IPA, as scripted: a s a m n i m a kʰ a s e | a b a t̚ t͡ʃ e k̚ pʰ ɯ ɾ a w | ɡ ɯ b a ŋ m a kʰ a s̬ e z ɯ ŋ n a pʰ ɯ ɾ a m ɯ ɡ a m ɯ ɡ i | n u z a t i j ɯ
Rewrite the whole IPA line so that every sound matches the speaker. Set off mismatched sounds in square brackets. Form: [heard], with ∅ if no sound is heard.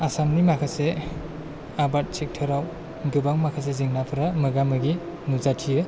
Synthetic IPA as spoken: a s a m n i m a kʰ a s e | a b a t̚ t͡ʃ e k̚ [tʰ] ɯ ɾ a w | ɡ ɯ b a ŋ m a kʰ a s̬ e z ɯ ŋ n a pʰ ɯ ɾ a m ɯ ɡ a m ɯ ɡ i | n u z a [tʰ] i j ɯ